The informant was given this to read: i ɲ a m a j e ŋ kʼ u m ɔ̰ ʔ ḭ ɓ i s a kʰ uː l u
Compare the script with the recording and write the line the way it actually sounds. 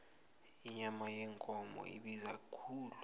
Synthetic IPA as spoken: i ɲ a m a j ɛ ŋ kʼ ɔ m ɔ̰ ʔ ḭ ɓ i z a kʰ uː l u